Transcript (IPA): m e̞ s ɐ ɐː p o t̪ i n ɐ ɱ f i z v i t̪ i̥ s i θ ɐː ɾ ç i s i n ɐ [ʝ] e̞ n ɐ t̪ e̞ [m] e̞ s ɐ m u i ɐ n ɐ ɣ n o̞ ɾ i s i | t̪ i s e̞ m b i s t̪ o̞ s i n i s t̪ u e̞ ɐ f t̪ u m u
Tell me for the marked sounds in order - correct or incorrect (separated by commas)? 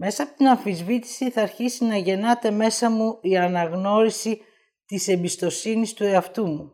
correct, correct